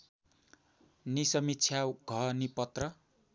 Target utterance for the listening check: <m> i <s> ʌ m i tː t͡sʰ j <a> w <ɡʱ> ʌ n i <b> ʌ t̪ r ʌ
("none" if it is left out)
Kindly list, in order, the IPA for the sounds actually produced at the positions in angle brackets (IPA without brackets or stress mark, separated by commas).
n, s, a, ɡʱ, p